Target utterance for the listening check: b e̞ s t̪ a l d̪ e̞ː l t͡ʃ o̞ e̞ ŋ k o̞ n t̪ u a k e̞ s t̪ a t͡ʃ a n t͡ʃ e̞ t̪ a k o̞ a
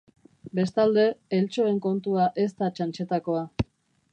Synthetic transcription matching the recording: b e̞ s t̪ a l d̪ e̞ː l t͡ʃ o̞ e̞ ŋ k o̞ n t̪ u a ʔ e̞ s t̪ a t͡ʃ a n t͡ʃ e̞ t̪ a k o̞ a